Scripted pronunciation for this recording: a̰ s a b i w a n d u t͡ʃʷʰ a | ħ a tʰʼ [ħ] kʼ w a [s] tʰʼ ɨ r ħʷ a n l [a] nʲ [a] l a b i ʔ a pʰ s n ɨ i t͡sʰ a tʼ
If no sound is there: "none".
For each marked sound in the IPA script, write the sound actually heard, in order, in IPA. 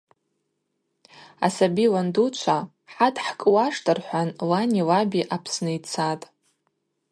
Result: ħ, ʂ, a, i

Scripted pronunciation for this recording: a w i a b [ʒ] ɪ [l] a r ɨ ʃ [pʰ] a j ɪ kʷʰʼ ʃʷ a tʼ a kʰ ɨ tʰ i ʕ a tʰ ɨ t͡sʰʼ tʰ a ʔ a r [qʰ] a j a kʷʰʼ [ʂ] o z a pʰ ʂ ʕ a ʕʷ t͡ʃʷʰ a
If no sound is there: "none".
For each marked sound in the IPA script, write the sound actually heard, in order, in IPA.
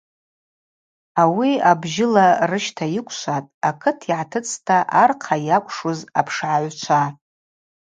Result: ʒ, l, tʰ, qʰ, ʂ

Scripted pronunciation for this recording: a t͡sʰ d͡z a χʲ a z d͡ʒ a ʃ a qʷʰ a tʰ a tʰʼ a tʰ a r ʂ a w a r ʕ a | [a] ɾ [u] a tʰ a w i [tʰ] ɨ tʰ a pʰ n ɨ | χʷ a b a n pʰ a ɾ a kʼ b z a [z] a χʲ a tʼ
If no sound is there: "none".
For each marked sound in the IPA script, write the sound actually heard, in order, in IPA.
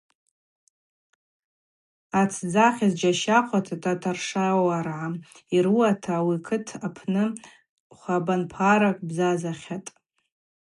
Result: i, u, kʰ, z

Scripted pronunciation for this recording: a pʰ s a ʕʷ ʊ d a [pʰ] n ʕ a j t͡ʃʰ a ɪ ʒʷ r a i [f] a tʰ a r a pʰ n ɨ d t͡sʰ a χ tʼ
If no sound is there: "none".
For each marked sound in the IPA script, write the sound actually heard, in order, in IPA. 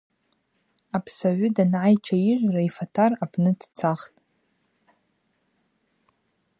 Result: none, f

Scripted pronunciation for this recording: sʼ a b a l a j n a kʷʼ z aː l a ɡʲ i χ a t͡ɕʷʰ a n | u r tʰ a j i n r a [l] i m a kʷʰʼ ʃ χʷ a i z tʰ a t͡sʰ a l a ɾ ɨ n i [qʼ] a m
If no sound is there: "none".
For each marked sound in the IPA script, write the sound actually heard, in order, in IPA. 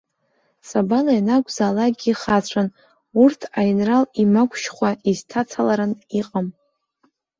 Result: l, qʼ

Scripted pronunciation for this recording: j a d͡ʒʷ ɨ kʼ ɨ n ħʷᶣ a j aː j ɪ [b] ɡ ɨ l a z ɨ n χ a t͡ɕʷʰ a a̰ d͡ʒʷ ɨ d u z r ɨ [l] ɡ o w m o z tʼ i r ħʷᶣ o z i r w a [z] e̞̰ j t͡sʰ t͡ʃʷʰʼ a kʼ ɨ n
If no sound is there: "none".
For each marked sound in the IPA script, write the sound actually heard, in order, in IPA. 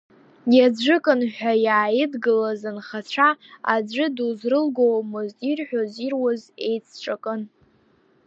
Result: d, l, z

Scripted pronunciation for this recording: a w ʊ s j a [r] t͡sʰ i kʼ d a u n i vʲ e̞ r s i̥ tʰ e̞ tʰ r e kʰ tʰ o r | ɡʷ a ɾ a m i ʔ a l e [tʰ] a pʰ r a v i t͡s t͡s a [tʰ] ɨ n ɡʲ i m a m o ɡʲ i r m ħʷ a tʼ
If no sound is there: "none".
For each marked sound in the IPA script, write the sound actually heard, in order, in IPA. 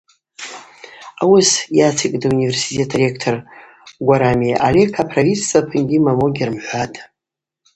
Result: none, kʰ, pʰ

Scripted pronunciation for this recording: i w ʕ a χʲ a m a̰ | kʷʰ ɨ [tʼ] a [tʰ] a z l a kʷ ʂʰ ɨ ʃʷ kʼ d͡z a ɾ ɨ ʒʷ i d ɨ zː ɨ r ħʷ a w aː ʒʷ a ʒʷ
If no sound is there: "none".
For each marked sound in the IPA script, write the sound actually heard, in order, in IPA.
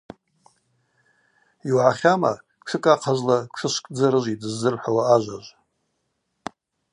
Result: kʼ, qʰ

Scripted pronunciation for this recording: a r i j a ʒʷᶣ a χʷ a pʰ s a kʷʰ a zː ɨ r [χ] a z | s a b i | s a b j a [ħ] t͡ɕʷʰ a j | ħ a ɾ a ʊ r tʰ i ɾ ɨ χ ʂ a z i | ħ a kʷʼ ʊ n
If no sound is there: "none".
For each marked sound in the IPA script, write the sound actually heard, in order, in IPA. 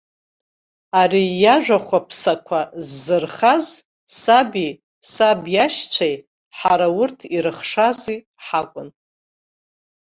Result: χ, ʃ

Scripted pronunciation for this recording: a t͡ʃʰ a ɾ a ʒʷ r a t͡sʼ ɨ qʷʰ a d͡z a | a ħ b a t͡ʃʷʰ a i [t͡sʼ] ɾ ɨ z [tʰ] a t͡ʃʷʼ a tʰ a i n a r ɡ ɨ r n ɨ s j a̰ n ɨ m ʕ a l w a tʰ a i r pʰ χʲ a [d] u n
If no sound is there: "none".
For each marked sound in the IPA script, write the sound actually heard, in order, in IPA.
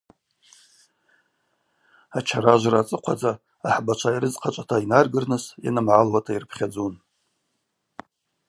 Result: none, qʰ, d͡z

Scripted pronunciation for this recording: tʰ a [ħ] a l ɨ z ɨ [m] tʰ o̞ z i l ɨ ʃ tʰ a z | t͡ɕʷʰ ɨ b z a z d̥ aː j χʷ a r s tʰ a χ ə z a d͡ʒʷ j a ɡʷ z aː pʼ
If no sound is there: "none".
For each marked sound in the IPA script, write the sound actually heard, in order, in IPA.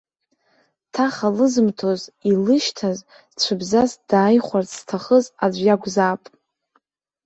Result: χ, m

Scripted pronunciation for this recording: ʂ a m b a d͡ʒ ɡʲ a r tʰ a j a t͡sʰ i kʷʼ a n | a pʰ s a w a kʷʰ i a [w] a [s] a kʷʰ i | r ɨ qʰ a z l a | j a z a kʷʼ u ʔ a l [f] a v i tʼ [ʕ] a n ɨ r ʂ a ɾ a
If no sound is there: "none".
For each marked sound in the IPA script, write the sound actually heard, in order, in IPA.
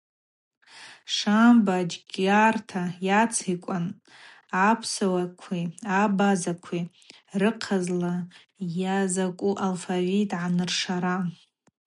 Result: b, z, f, ʕ

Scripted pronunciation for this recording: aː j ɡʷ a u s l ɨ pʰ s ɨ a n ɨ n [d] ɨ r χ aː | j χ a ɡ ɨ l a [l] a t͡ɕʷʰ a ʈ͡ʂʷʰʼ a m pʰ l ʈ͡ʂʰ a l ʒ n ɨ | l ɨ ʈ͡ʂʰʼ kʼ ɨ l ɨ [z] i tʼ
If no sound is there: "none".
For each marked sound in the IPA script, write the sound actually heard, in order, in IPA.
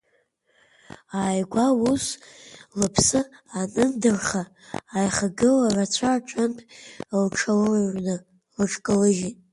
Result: d, r, ʒ

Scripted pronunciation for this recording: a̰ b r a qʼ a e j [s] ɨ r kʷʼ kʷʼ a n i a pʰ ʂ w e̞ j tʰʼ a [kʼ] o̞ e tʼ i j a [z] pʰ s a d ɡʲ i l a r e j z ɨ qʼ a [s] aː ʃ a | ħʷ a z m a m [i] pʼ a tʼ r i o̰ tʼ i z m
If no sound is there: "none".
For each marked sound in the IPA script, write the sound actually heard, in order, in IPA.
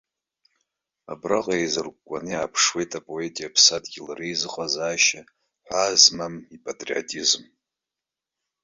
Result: z, pʼ, none, z, i

